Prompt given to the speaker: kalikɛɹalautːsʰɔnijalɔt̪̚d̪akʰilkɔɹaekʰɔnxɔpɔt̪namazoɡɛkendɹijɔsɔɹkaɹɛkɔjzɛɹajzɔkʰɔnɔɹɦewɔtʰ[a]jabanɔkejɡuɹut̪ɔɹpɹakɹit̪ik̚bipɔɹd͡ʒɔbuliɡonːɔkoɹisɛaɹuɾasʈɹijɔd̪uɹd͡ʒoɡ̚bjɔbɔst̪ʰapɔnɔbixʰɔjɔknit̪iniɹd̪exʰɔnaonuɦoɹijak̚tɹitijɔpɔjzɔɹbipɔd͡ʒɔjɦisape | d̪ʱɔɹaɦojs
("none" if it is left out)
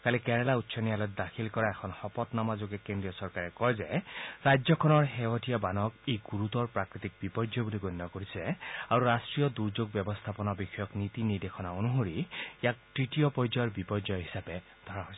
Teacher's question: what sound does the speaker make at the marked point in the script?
i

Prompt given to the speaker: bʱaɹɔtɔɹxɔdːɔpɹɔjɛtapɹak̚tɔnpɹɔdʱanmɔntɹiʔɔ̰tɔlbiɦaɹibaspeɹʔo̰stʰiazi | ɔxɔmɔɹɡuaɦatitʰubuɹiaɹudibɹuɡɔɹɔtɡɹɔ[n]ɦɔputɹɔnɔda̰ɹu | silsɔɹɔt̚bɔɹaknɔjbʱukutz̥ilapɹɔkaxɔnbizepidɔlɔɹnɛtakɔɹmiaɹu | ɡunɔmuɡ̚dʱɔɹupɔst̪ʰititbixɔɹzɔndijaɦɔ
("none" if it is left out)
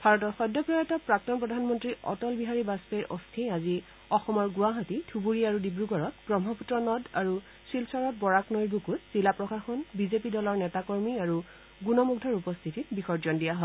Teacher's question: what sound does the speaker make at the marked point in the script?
m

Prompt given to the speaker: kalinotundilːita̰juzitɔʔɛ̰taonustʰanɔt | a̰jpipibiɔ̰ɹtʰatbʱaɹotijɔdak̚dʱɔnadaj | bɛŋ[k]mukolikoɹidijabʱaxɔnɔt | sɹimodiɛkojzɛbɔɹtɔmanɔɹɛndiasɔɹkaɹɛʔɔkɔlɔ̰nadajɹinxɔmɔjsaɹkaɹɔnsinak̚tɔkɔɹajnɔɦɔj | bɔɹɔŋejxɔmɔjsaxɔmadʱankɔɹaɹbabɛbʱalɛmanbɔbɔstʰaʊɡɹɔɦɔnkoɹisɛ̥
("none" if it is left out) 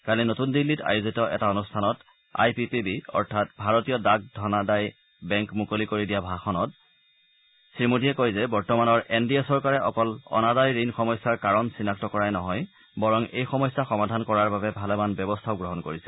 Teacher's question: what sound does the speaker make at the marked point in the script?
k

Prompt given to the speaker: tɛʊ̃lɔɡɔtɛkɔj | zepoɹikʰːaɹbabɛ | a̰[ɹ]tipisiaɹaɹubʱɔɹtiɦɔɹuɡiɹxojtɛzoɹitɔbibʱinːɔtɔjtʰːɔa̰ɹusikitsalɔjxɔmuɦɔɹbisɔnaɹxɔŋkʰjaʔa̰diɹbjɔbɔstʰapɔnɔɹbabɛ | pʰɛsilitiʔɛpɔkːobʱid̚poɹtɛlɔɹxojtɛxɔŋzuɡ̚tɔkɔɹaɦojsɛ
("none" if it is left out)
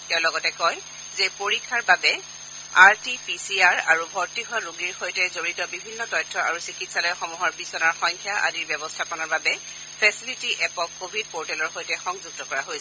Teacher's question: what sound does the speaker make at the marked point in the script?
ɹ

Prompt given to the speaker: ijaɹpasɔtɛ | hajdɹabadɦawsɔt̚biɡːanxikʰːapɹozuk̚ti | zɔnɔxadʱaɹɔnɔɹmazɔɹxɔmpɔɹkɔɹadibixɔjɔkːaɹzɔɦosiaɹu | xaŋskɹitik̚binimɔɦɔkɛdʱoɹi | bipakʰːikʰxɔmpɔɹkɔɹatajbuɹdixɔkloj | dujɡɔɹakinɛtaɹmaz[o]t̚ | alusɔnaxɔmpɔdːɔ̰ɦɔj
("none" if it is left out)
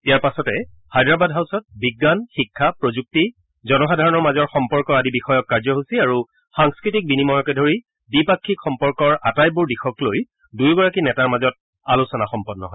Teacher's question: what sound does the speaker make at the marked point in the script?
ɔ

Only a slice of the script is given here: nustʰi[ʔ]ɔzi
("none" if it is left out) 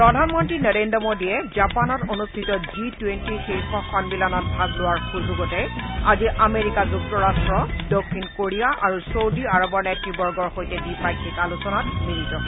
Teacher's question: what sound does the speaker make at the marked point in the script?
t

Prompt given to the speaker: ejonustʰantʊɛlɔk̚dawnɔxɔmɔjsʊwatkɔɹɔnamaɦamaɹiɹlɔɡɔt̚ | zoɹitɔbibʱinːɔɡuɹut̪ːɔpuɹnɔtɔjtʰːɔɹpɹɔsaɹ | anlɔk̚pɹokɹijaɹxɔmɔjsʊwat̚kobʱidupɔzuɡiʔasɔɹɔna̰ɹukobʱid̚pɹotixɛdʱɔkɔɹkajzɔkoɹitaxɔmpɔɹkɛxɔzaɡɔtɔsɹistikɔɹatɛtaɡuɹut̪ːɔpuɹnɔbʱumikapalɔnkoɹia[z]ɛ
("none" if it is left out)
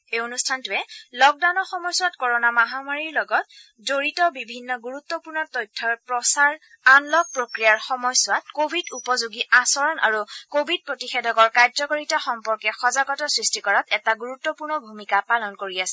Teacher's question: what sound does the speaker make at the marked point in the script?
s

